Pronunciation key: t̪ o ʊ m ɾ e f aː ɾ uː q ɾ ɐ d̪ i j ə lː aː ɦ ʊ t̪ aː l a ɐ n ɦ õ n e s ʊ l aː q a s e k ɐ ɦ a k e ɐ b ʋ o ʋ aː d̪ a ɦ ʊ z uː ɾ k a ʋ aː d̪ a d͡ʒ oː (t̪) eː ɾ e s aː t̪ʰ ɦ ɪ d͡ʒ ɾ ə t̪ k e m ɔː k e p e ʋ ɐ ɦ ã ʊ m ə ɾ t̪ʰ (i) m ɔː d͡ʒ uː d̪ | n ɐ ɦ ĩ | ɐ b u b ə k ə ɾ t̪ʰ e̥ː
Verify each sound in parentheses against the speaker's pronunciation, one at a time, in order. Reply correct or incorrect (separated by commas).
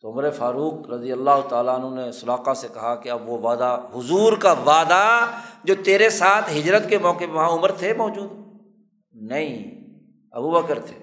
correct, incorrect